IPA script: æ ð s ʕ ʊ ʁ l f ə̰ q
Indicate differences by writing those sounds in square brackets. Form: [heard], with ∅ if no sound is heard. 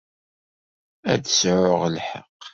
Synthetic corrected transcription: æ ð s ʕ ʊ ʁ l [ħ] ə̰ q